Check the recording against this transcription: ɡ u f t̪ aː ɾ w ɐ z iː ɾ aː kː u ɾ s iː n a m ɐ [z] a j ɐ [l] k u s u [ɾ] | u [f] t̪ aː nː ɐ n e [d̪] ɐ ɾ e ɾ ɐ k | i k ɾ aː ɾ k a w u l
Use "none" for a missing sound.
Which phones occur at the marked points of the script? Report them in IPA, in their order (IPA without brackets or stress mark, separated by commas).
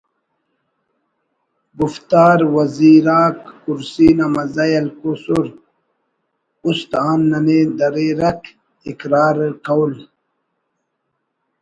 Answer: z, l, ɾ, s, d̪